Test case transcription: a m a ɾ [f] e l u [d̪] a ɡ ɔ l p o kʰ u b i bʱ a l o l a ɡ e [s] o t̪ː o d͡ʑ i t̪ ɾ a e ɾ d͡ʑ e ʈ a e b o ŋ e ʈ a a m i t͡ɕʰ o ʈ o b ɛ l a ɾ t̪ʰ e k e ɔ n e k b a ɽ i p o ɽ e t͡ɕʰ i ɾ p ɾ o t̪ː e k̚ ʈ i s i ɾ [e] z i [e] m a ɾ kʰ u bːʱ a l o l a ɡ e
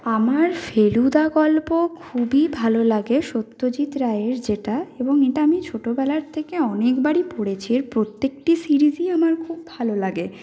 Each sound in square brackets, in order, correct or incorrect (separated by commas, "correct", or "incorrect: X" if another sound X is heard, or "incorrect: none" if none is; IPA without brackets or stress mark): correct, correct, incorrect: ʃ, incorrect: i, incorrect: a